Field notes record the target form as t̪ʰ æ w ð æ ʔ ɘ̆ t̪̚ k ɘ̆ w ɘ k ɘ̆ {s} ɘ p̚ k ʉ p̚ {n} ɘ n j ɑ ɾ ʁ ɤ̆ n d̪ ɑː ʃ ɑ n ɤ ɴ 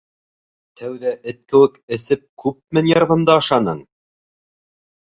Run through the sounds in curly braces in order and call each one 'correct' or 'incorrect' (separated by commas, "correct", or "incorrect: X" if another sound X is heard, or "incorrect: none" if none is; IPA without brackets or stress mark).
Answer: correct, incorrect: m